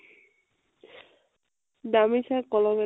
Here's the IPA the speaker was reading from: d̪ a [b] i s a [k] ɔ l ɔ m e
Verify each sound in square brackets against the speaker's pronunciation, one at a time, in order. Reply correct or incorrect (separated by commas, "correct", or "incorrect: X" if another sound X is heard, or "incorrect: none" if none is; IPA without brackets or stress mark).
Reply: incorrect: m, correct